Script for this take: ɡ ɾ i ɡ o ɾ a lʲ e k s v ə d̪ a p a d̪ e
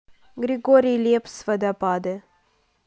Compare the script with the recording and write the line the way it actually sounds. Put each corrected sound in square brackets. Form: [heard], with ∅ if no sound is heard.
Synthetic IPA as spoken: ɡ ɾ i ɡ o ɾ [i] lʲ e [p] s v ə d̪ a p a d̪ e